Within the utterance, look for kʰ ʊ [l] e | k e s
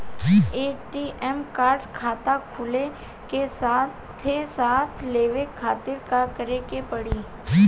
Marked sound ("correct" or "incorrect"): correct